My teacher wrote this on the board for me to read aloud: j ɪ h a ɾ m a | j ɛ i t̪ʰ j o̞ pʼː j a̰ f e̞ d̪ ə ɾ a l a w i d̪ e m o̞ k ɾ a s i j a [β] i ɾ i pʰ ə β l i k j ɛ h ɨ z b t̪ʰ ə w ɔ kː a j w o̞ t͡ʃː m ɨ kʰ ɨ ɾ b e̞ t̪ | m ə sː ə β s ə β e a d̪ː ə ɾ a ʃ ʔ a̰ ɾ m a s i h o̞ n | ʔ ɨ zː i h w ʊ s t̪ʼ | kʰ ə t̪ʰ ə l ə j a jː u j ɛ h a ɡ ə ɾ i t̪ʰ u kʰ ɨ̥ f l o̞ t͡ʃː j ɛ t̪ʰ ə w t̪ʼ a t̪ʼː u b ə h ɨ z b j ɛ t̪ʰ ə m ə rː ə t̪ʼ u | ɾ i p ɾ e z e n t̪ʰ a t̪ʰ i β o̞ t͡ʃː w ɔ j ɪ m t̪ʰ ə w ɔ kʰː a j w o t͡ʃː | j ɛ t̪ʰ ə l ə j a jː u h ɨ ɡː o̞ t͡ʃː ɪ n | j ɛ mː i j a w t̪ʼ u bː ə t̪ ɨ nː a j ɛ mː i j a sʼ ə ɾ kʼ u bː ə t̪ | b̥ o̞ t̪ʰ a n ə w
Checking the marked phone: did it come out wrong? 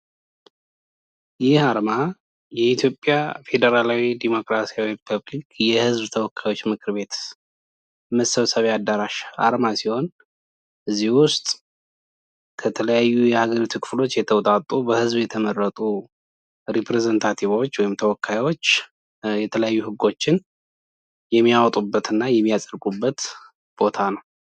yes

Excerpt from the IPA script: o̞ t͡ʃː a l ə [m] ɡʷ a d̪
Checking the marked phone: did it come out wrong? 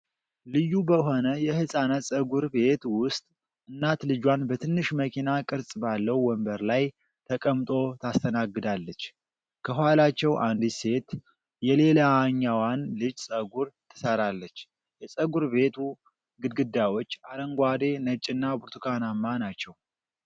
yes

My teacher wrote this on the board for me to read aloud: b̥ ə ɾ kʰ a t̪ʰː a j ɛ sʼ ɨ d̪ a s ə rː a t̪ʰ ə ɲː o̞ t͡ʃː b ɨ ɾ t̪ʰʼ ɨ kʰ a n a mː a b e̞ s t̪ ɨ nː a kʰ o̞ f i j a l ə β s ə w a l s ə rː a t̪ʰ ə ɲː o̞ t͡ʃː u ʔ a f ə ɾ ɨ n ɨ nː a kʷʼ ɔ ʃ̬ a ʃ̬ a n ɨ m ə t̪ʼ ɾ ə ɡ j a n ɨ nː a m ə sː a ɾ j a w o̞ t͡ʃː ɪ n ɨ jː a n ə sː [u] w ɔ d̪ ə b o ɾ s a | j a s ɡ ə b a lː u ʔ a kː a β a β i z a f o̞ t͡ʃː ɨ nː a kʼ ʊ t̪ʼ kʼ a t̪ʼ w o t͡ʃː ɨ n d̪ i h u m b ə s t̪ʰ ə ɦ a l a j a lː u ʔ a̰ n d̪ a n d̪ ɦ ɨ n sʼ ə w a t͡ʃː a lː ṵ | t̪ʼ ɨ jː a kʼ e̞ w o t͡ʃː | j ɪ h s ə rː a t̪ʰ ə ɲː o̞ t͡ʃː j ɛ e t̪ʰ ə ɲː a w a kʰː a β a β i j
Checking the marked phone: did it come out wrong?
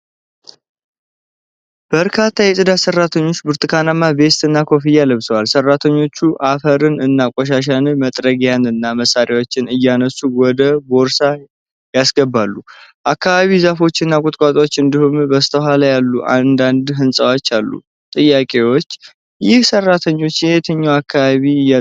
no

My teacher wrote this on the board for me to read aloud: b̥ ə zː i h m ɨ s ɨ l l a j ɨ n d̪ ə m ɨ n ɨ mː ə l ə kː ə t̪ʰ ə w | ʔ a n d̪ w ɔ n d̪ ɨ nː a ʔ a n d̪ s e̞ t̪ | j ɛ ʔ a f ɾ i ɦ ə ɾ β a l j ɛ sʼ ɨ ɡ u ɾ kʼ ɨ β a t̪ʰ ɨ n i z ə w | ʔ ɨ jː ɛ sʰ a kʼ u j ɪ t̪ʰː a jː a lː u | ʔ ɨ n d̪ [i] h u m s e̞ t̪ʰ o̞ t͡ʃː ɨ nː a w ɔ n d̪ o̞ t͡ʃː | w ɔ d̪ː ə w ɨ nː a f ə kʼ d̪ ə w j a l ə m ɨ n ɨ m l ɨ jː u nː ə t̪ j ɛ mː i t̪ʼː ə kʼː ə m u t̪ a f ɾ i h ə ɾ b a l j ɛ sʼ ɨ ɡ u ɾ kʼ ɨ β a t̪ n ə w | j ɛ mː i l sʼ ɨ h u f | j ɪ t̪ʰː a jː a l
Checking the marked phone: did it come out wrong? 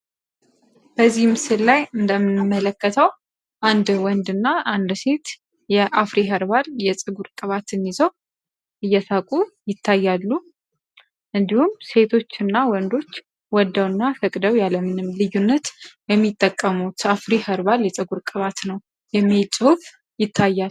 no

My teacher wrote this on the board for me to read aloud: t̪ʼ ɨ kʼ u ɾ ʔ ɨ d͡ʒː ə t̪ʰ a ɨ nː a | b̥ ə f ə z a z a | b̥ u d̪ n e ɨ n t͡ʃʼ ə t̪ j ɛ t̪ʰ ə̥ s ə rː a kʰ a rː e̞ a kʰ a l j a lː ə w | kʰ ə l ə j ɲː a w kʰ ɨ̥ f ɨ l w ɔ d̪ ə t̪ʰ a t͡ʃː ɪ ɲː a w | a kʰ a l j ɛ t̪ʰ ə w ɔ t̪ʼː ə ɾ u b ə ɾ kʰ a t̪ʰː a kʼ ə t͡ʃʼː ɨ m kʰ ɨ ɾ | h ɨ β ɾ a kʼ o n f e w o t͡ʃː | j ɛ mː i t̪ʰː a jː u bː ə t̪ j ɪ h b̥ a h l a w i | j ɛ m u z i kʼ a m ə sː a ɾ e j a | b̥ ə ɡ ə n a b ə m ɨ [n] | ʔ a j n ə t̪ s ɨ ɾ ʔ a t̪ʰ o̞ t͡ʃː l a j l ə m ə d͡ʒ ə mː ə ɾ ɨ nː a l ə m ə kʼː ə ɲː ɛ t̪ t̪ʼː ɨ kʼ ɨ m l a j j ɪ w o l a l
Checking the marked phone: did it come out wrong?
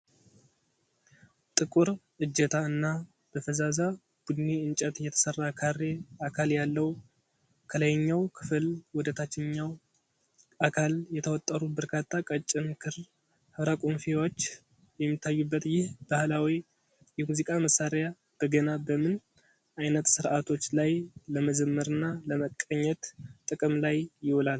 no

